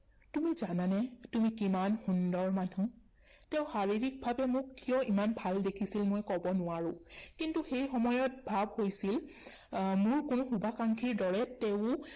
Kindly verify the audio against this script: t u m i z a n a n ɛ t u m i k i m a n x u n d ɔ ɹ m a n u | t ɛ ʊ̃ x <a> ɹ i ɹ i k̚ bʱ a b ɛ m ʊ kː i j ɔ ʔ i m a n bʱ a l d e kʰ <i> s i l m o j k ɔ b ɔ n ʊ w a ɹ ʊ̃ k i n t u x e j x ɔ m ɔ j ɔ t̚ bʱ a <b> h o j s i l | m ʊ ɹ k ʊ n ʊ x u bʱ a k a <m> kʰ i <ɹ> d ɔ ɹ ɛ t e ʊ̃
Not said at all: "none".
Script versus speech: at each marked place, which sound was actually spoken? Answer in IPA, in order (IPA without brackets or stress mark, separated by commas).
a, i, b, ŋ, ɹ